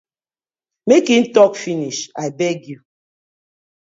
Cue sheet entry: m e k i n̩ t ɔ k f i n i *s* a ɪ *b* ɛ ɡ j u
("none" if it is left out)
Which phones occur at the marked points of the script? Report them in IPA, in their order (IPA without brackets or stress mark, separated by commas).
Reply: ʃ, b